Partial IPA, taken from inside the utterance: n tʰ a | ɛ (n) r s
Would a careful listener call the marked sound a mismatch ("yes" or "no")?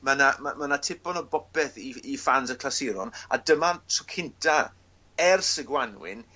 yes